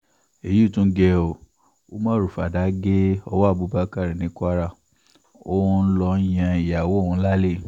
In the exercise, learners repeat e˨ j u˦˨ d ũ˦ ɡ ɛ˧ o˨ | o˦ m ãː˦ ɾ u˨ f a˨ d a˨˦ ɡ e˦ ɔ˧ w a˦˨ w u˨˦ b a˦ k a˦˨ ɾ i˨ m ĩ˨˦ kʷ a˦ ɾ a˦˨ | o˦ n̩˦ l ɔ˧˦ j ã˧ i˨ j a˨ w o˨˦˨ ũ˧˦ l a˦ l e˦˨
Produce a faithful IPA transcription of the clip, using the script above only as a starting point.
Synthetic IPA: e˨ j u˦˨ t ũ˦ ɡ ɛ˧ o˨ | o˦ m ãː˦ ɾ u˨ f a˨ d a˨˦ ɡ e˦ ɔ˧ w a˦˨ b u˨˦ b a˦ k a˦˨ ɾ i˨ n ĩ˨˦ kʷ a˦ ɾ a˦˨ | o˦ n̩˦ l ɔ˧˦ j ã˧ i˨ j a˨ w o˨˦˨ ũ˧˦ l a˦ l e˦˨